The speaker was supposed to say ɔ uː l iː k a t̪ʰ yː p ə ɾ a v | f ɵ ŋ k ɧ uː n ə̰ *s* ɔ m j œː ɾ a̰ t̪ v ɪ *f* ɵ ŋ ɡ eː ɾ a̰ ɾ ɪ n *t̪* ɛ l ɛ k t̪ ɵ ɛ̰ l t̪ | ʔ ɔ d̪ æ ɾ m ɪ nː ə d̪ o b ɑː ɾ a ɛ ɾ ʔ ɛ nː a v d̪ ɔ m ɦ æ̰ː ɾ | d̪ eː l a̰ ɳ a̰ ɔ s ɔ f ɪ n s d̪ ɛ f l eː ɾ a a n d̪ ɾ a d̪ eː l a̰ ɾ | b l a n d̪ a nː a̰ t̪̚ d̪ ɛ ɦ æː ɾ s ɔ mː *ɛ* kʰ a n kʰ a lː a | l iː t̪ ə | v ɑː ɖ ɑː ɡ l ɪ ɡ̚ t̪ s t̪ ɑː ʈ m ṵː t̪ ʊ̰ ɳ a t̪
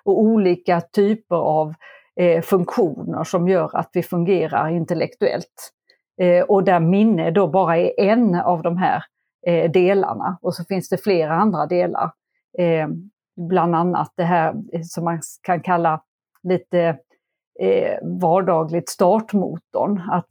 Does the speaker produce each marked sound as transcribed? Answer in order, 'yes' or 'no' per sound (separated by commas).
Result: no, yes, yes, no